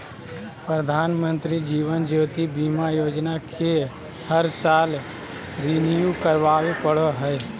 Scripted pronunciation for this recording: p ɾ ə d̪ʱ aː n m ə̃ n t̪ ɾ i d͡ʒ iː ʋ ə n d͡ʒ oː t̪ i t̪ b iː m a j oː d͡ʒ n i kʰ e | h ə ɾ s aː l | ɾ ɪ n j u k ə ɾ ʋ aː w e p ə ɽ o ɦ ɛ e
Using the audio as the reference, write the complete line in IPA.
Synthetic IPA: p ɾ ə d̪ʱ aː n m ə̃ n t̪ ɾ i d͡ʒ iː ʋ ə n d͡ʒ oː t̪ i b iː m a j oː d͡ʒ n a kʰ e | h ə ɾ s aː l | ɾ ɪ n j u k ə ɾ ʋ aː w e p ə ɽ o ɦ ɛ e